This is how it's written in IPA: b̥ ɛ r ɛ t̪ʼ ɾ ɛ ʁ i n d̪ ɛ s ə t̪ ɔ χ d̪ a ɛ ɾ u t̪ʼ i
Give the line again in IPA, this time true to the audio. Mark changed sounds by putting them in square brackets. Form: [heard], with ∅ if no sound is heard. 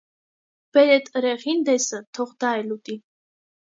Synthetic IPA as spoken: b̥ ɛ [ɾ] ɛ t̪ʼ ɾ ɛ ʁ i n d̪ ɛ s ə [t̪ʰ] ɔ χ d̪ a ɛ [l] u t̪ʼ i